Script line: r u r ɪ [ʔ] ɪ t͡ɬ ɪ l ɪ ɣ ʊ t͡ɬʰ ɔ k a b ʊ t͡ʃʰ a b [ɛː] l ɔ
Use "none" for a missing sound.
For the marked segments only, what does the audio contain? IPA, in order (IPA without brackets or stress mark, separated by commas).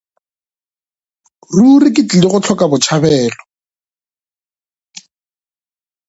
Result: k, ɛː